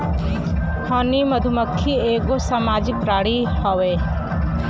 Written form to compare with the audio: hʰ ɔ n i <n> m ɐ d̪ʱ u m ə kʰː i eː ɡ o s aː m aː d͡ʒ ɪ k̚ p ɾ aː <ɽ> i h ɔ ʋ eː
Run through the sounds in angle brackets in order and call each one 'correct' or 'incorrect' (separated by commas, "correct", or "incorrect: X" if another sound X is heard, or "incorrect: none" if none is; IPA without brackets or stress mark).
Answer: incorrect: none, correct